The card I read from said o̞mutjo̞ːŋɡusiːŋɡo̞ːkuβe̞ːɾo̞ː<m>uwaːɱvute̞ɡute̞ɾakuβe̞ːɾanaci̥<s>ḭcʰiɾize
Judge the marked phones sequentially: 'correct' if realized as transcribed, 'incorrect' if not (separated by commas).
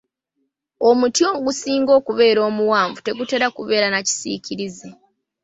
correct, correct